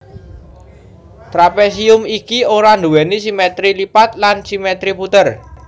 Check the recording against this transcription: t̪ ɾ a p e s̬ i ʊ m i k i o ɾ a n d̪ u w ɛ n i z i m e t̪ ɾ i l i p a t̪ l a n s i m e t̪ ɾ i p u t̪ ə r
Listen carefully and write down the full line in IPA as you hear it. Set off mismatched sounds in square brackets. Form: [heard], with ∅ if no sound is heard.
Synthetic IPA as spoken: t̪ ɾ a p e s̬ i ʊ m i k i o ɾ a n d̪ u w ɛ n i [s] i m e t̪ ɾ i l i p a t̪ l a n s i m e t̪ ɾ i p u t̪ ə r